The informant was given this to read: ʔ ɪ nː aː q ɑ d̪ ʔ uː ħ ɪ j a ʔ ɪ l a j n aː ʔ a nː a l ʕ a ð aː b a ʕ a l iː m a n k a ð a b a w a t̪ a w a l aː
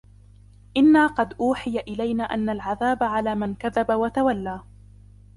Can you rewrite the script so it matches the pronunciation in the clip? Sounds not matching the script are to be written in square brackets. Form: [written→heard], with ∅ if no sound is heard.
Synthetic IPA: ʔ ɪ nː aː q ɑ d̪ ʔ uː ħ ɪ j a ʔ ɪ l a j n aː ʔ a nː a l ʕ a ð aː b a ʕ a l [iː→aː] m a n k a ð a b a w a t̪ a w a [l→lː] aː